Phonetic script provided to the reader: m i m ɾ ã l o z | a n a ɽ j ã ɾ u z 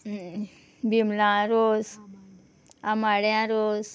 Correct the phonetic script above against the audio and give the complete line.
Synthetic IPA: b i m l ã ɾ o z | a m a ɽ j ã ɾ o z